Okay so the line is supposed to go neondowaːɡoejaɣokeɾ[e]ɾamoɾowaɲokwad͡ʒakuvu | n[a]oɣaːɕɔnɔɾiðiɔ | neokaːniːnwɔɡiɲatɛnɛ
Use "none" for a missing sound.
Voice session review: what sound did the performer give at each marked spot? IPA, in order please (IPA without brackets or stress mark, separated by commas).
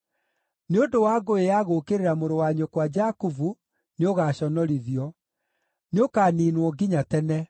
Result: e, e